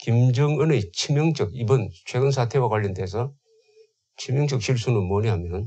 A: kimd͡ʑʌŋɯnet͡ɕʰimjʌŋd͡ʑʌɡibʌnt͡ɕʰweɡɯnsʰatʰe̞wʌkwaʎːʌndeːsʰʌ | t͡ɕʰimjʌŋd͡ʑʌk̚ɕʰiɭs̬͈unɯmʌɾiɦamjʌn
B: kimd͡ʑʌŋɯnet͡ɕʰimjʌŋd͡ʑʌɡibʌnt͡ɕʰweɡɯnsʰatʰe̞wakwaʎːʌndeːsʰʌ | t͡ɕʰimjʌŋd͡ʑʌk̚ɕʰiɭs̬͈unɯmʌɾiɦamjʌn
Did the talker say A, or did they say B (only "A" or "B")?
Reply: B